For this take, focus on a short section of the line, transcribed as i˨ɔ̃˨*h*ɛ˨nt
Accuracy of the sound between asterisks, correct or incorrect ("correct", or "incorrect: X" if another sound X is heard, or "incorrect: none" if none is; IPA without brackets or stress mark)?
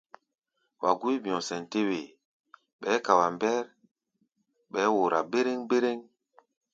incorrect: s